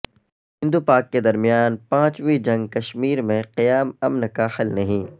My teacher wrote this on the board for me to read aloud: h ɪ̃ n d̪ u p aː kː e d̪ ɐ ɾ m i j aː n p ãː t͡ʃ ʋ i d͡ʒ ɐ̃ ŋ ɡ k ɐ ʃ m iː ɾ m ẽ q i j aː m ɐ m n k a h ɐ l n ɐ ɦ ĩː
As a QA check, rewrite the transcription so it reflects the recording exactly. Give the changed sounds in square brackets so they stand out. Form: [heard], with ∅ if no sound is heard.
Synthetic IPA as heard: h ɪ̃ n d̪ u p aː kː e d̪ ɐ ɾ m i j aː n p ãː t͡ʃ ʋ i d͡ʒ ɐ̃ ŋ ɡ k ɐ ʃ m iː ɾ m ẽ q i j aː m ɐ m n k a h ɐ l n ɐ ɦ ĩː